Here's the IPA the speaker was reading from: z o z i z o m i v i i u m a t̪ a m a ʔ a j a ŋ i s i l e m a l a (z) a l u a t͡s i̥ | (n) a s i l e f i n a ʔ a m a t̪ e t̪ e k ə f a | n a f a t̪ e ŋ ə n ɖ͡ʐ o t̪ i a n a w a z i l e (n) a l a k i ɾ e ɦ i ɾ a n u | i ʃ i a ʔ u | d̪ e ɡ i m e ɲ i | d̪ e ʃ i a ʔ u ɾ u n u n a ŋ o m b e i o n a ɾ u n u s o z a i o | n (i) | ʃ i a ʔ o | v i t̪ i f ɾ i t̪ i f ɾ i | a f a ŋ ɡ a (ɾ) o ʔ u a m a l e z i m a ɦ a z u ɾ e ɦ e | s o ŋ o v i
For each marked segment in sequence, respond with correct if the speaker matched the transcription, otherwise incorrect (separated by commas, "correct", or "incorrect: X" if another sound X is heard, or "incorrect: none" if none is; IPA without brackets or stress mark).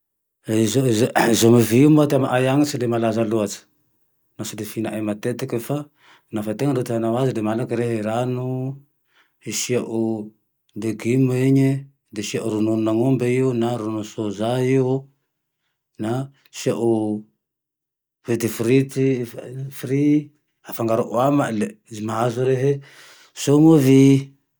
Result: correct, correct, incorrect: m, incorrect: a, correct